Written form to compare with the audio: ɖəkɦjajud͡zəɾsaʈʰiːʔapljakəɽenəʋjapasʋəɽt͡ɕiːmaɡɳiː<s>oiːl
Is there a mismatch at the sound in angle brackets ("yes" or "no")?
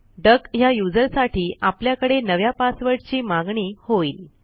yes